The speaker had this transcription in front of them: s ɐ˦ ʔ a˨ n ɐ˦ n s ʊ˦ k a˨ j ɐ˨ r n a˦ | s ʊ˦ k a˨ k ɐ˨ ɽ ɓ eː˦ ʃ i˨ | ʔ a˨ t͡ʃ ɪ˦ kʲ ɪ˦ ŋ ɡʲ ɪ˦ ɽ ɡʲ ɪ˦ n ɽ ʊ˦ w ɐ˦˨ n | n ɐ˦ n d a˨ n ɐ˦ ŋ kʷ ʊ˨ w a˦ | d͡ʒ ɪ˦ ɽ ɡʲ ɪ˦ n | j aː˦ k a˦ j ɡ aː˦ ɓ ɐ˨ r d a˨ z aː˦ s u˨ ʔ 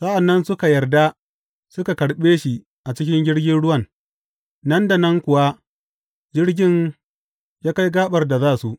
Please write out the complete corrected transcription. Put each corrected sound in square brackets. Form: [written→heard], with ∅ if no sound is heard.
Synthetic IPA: s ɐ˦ ʔ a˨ [n→nː] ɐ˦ n s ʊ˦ k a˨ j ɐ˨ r [n→d] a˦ | s ʊ˦ k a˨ k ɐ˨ ɽ ɓ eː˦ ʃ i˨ | ʔ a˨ t͡ʃ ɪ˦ kʲ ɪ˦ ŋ ɡʲ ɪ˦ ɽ ɡʲ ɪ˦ n ɽ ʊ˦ w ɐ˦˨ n | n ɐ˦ n d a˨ n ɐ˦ ŋ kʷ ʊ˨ w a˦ | d͡ʒ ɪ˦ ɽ ɡʲ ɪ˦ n | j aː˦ k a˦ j ɡ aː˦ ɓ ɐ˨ r d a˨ z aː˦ s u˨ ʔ